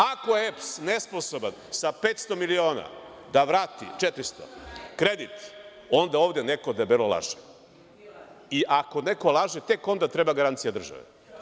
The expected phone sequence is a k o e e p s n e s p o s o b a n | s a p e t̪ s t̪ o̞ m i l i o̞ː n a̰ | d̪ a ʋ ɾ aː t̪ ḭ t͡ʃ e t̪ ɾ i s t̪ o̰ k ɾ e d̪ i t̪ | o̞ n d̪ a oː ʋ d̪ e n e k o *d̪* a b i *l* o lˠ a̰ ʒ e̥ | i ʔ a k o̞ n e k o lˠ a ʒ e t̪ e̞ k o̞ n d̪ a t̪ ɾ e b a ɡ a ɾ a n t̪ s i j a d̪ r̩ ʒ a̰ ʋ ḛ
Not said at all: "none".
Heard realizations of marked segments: d̪, l

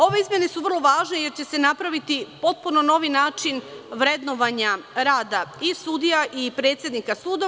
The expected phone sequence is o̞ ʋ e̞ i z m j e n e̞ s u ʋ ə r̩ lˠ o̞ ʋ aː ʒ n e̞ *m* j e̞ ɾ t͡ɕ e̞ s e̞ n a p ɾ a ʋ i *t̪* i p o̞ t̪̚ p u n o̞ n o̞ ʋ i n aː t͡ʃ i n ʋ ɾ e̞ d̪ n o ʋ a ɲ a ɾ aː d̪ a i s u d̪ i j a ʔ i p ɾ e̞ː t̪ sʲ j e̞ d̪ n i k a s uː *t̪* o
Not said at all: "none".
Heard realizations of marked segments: none, t̪, d̪

